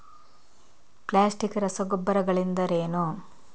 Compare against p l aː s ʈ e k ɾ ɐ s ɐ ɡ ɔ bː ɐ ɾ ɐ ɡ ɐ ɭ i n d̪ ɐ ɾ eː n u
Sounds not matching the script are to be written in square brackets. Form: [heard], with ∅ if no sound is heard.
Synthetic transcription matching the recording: p l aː s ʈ [i] k ɾ ɐ s ɐ ɡ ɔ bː ɐ ɾ ɐ ɡ ɐ ɭ i n d̪ ɐ ɾ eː n u